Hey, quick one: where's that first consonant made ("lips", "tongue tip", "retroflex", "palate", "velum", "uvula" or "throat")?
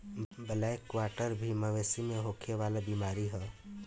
lips